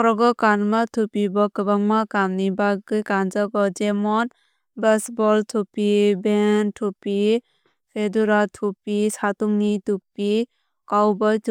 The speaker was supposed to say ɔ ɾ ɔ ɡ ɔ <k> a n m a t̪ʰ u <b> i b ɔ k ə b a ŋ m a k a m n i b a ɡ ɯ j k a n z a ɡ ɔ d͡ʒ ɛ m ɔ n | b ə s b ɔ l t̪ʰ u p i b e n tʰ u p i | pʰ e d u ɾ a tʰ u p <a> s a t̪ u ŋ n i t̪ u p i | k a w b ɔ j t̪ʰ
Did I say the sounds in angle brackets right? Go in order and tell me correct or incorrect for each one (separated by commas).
correct, incorrect, incorrect